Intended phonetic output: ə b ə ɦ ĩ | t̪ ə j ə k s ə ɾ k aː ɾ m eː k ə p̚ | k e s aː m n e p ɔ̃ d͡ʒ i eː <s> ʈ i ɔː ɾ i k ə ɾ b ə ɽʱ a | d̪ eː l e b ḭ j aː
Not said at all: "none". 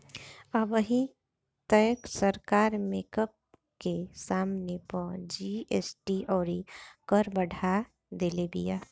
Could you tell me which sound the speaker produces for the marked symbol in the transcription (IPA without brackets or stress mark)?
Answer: s